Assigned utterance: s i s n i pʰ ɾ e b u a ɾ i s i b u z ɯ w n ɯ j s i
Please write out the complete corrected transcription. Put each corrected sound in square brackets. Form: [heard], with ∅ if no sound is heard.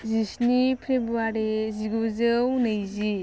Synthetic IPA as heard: [z] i s n i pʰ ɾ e b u a ɾ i [z] i [ɡ] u z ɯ w n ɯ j [z] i

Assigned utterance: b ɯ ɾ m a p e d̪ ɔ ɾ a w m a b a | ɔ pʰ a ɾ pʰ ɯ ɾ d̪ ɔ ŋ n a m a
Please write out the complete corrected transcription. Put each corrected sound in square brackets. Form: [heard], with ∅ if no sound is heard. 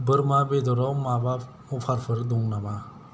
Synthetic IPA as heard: b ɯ ɾ m a [b] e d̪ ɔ ɾ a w m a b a | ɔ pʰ a ɾ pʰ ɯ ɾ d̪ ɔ ŋ n a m a

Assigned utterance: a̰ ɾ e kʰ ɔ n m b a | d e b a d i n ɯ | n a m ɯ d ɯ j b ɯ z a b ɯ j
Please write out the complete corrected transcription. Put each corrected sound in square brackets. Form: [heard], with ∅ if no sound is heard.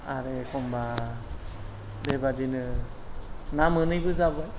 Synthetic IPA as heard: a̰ ɾ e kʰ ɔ [∅] m b a | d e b a d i n ɯ | n a m ɯ [n] ɯ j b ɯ z a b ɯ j

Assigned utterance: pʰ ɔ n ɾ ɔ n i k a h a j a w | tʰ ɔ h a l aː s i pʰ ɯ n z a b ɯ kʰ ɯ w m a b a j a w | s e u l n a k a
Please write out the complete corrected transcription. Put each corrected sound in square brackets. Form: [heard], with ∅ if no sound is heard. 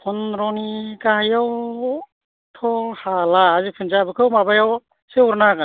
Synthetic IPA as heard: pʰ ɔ n ɾ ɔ n i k a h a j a w | tʰ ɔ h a l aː [z] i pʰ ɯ n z a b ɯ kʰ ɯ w m a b a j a w | s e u [ɾ] n a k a

